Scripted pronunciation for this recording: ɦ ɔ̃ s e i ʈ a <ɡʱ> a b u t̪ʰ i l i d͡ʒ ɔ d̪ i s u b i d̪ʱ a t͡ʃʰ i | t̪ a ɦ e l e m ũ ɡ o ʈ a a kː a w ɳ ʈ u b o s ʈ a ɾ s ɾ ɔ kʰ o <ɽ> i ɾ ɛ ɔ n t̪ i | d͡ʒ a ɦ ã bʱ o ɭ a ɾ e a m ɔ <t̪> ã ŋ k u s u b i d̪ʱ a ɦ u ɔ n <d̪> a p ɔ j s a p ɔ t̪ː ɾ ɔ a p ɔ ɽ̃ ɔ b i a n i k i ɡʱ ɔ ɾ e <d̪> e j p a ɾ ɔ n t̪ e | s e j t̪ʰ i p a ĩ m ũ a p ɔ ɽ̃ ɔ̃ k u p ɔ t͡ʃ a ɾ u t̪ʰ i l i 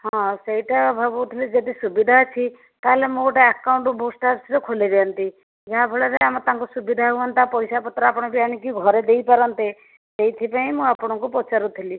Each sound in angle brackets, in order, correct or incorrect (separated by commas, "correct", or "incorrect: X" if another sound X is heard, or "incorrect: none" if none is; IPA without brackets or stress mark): incorrect: bʱ, incorrect: l, correct, incorrect: t̪, correct